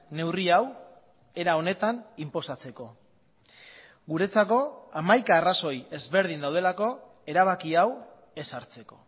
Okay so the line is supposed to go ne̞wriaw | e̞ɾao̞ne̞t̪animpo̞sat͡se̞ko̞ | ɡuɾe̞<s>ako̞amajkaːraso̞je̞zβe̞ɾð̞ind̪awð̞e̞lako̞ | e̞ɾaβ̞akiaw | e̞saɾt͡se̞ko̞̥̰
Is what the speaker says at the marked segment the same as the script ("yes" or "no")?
no